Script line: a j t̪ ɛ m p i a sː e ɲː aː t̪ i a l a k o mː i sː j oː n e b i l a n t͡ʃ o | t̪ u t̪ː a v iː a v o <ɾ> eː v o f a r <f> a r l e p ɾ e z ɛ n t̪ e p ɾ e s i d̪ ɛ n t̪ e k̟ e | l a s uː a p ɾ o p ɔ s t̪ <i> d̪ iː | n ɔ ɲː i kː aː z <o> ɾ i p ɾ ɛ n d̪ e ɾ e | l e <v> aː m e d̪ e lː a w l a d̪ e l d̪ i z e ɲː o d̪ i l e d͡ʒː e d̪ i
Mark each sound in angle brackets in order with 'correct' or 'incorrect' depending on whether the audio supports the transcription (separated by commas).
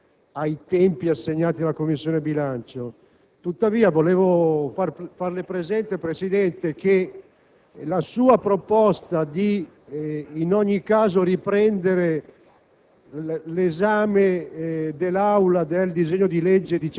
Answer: incorrect, correct, incorrect, correct, incorrect